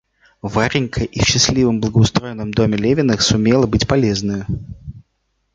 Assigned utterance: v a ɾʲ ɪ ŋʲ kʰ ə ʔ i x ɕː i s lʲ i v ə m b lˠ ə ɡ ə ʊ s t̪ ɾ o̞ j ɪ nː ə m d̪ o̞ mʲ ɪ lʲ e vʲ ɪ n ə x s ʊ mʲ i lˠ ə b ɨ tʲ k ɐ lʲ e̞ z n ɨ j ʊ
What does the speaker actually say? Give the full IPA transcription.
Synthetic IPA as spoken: v a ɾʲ ɪ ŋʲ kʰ ə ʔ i f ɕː ɪ s lʲ i v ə m b lˠ ə ɡ ə ʊ s t̪ ɾ o̞ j ɪ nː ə m d̪ o̞ mʲ ɪ lʲ e vʲ ɪ n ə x s ʊ mʲ e lˠ ə b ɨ tʲ p ɐ lʲ e̞ z n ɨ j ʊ